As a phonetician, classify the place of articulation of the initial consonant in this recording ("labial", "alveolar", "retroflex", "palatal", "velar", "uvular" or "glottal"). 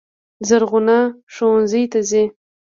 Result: alveolar